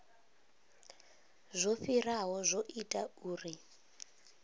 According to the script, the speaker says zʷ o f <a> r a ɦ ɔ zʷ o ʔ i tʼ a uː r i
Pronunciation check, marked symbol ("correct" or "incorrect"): incorrect